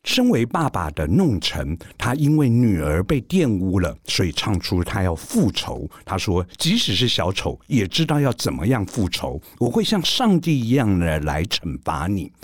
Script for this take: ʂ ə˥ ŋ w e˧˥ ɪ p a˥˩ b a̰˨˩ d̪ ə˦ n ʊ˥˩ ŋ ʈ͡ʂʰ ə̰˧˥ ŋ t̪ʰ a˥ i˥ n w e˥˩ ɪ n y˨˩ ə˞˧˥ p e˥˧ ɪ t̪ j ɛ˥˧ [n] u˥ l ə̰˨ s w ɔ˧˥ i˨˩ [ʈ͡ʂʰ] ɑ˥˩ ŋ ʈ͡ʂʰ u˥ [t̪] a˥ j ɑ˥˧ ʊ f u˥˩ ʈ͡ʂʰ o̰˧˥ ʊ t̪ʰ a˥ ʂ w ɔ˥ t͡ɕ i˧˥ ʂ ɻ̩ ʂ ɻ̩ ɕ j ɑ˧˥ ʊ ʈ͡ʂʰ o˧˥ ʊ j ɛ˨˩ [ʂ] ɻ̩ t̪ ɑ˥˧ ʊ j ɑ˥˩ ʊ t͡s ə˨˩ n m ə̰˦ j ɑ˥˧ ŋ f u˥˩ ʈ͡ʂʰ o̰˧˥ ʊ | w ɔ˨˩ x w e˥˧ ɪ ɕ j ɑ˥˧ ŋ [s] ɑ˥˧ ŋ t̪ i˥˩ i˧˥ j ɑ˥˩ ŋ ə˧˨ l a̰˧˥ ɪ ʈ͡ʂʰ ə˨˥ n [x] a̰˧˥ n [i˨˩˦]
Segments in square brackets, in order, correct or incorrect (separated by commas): correct, correct, incorrect, incorrect, incorrect, incorrect, correct